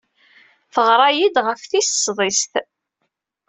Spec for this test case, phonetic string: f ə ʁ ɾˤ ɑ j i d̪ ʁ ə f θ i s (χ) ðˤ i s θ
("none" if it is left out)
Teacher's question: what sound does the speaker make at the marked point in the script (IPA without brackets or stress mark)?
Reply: s